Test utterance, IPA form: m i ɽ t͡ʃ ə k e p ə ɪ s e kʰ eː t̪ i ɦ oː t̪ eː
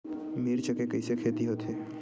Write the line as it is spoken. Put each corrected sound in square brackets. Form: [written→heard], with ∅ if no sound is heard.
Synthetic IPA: m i [ɽ→ɾ] t͡ʃ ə k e [p→k] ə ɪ s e kʰ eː t̪ i ɦ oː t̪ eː